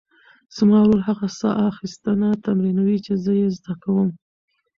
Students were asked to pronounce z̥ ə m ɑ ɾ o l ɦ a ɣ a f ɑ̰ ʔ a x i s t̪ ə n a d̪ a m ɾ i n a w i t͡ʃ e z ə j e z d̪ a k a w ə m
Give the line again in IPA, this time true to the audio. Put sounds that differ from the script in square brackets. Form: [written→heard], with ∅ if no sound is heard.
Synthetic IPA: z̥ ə m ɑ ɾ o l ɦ a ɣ a [f→s] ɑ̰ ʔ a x i s t̪ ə n a [d̪→t̪] a m ɾ i n a w i t͡ʃ e z ə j e z d̪ a k a w ə m